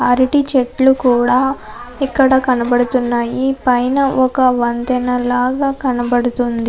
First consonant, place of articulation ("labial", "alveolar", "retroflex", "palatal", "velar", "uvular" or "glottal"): alveolar